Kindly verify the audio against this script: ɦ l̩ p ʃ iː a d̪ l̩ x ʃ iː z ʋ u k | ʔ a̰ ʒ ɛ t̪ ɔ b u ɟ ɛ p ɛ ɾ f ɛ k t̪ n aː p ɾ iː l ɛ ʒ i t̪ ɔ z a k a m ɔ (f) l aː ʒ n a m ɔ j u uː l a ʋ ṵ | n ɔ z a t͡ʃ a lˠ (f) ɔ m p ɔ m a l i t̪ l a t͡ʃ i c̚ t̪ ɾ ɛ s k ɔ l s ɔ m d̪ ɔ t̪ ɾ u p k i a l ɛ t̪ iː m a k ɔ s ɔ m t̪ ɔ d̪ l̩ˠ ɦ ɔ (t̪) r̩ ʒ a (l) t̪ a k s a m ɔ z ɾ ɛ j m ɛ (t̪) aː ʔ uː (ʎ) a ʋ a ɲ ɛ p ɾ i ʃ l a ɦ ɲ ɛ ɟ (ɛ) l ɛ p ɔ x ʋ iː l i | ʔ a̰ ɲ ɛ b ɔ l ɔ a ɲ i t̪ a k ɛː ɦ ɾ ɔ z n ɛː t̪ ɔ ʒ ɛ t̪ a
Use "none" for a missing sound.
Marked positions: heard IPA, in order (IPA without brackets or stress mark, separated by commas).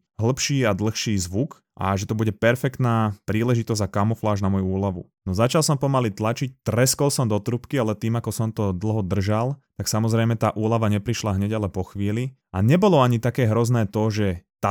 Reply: f, s, d̪, l, t̪, l, a